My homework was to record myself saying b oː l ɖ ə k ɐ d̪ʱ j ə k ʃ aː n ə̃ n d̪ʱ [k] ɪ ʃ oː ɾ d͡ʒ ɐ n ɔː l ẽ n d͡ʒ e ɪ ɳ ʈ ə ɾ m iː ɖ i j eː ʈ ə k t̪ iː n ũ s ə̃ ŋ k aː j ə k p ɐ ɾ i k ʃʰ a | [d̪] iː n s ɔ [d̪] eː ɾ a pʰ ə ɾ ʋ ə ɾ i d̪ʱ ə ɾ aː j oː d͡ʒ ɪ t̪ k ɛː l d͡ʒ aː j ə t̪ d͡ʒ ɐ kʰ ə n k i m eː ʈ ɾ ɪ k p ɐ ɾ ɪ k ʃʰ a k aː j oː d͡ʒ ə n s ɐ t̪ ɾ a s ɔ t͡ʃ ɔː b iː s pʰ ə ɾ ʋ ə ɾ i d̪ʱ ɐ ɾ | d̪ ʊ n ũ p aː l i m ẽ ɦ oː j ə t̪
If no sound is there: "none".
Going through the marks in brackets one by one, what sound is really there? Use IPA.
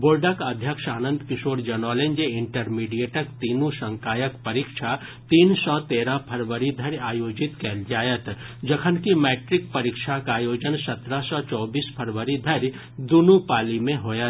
k, t̪, t̪

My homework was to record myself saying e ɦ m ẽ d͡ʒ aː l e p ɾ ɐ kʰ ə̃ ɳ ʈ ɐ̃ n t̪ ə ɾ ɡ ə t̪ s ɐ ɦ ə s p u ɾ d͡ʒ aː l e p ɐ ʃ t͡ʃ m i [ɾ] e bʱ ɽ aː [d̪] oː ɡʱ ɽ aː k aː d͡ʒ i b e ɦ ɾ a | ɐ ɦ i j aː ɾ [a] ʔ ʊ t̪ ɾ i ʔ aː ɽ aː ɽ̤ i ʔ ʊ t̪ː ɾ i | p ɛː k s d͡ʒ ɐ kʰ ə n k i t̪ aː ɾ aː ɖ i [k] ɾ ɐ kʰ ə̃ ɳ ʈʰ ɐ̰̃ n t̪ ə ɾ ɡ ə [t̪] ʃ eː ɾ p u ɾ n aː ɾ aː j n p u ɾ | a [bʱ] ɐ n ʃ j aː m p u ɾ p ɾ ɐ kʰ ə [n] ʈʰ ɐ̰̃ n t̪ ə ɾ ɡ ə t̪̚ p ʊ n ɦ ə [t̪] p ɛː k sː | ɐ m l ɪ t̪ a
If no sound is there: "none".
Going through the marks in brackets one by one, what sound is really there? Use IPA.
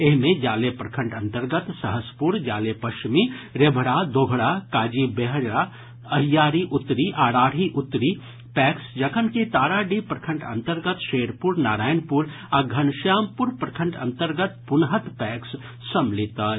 ɾ, d̪, i, p, t̪, ɡʱ, ɳ, t̪

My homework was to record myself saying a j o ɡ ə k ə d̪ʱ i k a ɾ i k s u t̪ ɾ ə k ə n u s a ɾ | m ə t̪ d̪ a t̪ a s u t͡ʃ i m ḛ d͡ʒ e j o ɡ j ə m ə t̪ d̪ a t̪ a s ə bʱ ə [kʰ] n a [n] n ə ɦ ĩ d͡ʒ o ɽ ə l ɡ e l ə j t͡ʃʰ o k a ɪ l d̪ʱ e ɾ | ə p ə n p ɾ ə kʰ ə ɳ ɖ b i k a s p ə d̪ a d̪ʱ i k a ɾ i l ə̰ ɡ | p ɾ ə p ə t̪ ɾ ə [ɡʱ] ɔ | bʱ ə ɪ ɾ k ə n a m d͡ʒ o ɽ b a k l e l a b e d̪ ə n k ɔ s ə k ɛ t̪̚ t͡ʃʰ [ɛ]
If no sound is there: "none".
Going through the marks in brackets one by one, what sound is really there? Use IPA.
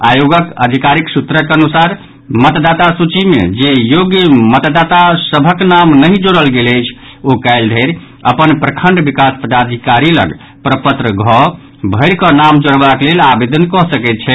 k, m, ɡʱ, ɛ

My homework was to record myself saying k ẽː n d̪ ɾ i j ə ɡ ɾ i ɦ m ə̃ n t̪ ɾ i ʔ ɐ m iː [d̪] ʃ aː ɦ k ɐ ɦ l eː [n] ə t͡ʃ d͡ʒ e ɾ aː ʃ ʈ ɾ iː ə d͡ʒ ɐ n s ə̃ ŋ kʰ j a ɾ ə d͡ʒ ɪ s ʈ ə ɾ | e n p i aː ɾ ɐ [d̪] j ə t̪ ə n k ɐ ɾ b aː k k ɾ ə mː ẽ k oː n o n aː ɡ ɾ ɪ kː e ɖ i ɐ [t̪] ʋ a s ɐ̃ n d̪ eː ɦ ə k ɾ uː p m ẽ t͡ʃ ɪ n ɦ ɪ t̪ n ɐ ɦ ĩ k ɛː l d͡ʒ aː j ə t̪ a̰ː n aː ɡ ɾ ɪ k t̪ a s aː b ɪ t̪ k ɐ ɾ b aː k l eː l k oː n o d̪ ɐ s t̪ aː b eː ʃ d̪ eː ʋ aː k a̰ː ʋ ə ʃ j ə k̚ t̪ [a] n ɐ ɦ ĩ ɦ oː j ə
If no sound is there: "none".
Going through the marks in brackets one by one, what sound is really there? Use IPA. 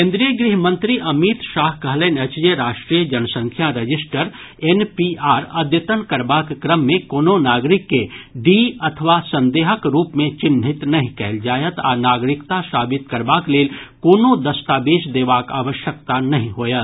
t̪, n, d̪, t̪ʰ, a

